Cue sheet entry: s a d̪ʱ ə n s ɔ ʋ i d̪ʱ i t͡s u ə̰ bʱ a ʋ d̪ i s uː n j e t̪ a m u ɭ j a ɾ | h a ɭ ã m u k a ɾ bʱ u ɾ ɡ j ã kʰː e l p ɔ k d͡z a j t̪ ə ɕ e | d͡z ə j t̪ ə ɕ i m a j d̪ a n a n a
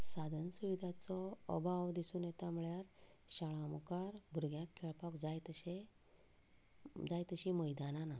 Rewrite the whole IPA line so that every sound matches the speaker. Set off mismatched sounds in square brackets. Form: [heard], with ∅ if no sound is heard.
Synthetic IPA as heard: s a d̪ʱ ə n s [u] ʋ i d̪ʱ [a] t͡s [ɔ] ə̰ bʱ a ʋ d̪ i s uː n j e t̪ a m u ɭ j a ɾ | [ɕ] a ɭ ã m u k a ɾ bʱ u ɾ ɡ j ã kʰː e [ɭ] p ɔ k d͡z a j t̪ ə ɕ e | d͡z [a] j t̪ ə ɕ i m [ə] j d̪ a n a n a

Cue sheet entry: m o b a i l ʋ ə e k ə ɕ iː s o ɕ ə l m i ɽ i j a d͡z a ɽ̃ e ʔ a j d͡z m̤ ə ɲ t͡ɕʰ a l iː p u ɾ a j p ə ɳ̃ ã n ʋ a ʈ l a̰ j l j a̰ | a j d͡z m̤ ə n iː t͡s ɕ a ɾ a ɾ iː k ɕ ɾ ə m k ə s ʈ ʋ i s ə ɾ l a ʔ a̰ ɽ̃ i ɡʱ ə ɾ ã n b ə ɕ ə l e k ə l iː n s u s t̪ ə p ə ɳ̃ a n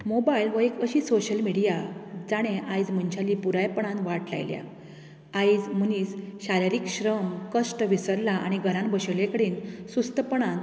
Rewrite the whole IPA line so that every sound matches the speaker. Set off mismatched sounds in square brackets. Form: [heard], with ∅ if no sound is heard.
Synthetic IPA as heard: m o b a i l ʋ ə e k ə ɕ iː s o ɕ ə l m i ɽ i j a d͡z a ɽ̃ e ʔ a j d͡z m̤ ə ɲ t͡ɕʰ a l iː p u ɾ a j p ə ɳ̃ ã n ʋ a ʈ l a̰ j l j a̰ | a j d͡z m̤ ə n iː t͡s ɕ a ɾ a ɾ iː k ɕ ɾ ə m k ə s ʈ ʋ i s ə ɾ l a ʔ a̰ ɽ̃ i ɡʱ ə ɾ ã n b ə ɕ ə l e k ə [ɽ] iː n s u s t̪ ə p ə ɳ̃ a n

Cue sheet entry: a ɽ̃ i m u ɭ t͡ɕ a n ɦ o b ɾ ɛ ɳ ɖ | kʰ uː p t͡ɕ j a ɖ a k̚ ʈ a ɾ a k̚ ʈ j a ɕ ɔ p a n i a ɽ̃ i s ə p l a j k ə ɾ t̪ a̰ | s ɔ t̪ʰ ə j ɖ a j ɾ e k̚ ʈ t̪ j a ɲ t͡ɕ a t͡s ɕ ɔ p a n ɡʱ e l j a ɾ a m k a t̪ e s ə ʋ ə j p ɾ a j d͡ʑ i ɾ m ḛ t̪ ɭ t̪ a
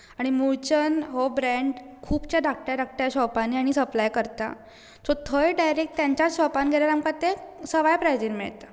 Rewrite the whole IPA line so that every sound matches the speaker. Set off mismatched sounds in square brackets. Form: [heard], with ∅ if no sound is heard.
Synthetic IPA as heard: a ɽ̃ i m u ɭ t͡ɕ [ə] n ɦ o b ɾ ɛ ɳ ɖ | kʰ uː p t͡ɕ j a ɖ a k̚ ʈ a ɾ a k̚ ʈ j a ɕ ɔ p a n i a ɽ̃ i s ə p l a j k ə ɾ t̪ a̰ | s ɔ t̪ʰ ə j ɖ a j ɾ e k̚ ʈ t̪ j a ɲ t͡ɕ a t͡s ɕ ɔ p a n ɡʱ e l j a ɾ a m k a t̪ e s ə ʋ [a] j p ɾ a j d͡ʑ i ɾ m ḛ [∅] ɭ t̪ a

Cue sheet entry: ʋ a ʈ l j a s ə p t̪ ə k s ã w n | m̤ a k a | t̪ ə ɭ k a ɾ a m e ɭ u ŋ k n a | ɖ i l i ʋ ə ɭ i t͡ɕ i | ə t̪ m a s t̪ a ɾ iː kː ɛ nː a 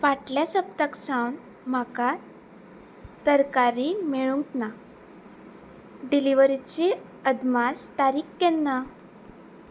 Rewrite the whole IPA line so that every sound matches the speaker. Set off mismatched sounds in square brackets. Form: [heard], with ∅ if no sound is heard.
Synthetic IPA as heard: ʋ a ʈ l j a s ə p t̪ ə k s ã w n | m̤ a k a | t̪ ə [ɾ] k a ɾ [i] m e ɭ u ŋ k n a | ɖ i l i ʋ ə [ɾ] i t͡ɕ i | ə [d̪] m a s t̪ a ɾ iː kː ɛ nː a

